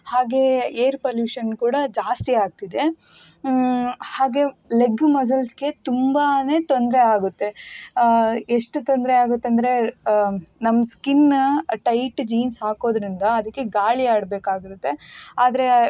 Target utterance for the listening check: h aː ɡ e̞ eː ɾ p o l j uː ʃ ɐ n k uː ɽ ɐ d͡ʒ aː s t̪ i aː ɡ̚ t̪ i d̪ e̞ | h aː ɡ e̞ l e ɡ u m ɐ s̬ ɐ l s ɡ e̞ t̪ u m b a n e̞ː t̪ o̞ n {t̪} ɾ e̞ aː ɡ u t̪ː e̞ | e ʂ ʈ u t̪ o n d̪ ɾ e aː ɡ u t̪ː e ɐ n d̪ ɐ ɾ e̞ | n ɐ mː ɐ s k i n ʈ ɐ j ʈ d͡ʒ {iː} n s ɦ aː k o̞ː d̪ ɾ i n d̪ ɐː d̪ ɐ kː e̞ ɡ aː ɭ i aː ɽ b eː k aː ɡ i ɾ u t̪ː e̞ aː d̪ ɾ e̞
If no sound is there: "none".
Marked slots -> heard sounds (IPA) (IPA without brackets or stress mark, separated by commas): d̪, iː